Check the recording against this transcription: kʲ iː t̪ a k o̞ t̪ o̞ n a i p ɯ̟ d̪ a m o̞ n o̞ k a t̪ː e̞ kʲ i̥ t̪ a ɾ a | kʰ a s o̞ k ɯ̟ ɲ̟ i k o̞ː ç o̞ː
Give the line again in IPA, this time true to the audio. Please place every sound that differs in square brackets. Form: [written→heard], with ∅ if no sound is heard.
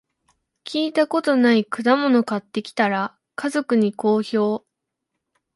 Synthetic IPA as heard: kʲ iː t̪ a k o̞ t̪ o̞ n a i [p→k] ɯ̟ d̪ a m o̞ n o̞ k a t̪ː e̞ kʲ i̥ t̪ a ɾ a | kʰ a [s→z] o̞ k ɯ̟ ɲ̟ i k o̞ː ç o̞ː